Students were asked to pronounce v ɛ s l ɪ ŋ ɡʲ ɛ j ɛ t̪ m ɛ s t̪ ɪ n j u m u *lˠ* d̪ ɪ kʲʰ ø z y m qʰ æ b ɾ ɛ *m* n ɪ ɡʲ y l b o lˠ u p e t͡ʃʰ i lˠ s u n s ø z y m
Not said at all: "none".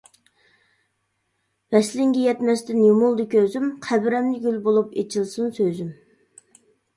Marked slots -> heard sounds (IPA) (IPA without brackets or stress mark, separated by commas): lˠ, m